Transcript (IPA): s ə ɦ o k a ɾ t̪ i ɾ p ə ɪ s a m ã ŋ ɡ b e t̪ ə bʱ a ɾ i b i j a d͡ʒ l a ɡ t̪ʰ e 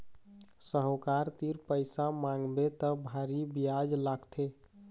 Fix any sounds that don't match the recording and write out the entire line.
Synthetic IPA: s ə ɦ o k a ɾ t̪ i ɾ p ə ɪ s a m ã ŋ ɡ b e t̪ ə bʱ a ɾ i b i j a d͡ʒ l a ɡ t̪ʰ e